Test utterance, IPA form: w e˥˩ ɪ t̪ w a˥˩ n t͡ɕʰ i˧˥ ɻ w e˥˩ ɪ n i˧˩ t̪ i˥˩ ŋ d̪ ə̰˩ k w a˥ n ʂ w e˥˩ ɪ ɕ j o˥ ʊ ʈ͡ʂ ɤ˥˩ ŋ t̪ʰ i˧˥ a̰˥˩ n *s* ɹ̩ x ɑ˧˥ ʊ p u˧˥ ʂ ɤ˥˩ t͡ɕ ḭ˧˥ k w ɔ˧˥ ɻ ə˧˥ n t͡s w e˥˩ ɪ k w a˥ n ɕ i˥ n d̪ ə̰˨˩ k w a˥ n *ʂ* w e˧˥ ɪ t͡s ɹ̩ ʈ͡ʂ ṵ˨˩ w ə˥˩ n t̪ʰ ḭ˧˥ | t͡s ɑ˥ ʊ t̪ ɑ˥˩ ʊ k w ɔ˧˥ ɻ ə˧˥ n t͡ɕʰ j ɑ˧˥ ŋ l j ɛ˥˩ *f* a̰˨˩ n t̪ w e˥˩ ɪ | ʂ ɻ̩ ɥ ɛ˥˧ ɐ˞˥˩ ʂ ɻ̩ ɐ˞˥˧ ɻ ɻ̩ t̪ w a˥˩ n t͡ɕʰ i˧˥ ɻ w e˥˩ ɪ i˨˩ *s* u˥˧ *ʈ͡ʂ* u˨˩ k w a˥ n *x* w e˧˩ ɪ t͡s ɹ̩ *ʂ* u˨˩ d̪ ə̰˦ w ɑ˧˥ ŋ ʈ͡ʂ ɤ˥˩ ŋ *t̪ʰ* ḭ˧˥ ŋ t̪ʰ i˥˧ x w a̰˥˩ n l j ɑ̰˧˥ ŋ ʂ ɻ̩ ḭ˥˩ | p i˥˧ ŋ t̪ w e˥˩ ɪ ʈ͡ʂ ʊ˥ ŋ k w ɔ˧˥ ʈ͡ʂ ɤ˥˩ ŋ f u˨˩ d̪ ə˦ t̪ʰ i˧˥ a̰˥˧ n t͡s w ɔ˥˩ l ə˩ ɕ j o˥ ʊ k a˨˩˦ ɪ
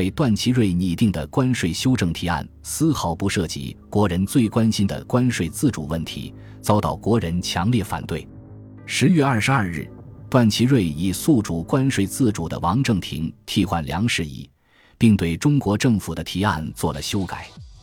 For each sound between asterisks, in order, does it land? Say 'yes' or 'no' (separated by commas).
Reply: yes, yes, yes, yes, yes, no, no, yes